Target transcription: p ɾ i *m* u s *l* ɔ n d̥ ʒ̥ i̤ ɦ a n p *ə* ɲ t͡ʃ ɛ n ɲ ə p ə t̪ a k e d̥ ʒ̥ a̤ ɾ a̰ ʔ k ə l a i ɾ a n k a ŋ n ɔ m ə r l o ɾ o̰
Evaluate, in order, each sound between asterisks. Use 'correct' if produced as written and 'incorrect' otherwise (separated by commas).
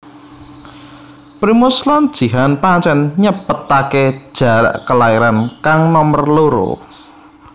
correct, correct, incorrect